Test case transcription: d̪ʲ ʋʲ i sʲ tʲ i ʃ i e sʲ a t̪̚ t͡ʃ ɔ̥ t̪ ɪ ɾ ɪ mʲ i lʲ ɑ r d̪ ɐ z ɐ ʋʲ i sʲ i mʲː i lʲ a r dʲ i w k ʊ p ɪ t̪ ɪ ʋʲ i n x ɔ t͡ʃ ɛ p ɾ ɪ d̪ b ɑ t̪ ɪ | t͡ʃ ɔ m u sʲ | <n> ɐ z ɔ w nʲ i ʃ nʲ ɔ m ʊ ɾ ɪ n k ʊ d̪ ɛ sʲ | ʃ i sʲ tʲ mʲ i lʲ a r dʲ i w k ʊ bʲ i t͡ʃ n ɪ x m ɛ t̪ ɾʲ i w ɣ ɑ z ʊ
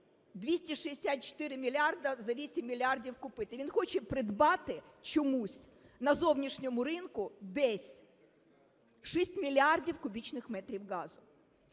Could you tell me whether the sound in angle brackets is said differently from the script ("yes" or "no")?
no